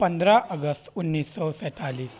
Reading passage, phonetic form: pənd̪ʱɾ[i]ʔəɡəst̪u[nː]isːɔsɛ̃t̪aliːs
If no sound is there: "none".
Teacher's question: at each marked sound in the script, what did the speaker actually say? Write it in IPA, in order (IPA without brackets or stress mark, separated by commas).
a, nː